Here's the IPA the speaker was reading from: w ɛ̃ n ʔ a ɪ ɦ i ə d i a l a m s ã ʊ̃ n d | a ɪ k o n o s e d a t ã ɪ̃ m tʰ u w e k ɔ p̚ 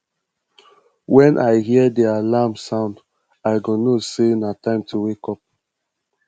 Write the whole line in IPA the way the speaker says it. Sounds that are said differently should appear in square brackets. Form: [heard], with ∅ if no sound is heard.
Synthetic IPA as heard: w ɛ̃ n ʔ a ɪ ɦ i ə d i a l a m s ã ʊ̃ n d | a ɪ [ɡ] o n o s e [n] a t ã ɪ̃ m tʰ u w e k ɔ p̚